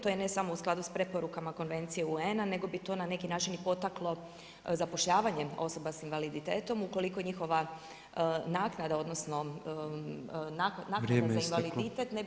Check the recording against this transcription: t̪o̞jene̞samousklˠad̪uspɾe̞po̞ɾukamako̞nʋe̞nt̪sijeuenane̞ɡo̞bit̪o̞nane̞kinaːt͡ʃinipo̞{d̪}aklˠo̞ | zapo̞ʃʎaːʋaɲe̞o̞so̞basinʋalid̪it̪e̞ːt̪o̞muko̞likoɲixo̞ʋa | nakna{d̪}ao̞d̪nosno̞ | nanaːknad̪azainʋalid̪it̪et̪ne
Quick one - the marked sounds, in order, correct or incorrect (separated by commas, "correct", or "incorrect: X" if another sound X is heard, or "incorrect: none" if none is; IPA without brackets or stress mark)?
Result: incorrect: t̪, correct